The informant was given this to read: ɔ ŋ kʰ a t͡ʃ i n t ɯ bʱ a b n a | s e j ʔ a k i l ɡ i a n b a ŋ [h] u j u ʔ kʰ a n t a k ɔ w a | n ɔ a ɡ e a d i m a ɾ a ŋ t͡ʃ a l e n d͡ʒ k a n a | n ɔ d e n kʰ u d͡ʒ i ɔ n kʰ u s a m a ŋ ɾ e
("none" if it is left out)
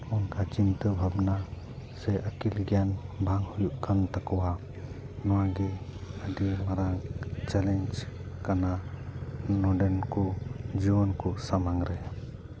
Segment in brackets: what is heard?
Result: h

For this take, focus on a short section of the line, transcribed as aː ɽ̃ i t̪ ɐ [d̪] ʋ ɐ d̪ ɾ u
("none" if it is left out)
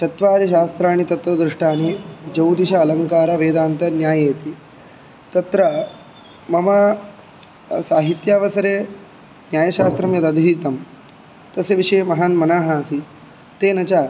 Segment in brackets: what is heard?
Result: t̪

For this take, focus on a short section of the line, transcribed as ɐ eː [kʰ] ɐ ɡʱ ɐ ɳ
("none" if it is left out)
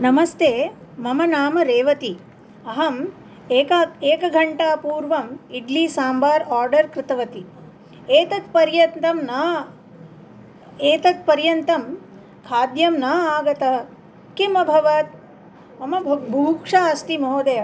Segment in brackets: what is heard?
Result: k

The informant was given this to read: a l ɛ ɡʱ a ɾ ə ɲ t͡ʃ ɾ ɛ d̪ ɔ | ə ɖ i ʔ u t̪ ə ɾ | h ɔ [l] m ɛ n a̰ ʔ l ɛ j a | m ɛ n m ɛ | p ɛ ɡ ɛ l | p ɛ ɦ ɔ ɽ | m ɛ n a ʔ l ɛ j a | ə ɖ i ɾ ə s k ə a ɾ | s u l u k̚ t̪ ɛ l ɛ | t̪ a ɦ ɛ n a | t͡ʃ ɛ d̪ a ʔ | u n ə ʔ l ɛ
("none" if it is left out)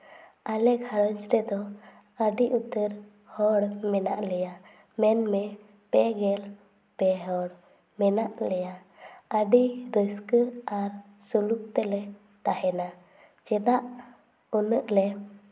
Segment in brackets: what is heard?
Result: ɽ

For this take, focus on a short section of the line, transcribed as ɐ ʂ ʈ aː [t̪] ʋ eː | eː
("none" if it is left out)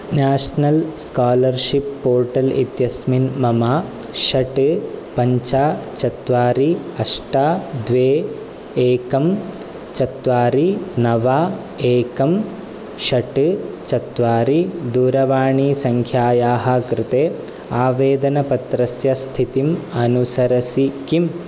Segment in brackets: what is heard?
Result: d̪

